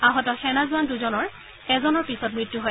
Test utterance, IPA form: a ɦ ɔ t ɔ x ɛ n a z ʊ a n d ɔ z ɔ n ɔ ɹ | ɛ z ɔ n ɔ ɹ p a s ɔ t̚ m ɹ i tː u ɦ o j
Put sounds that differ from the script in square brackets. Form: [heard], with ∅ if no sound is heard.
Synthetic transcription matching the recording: a ɦ ɔ t ɔ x ɛ n a z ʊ a n d [u] z ɔ n ɔ ɹ | ɛ z ɔ n ɔ ɹ p [i] s ɔ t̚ m ɹ i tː u ɦ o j